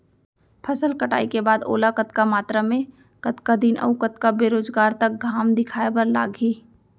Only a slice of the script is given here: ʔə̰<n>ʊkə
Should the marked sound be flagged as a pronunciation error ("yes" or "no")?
yes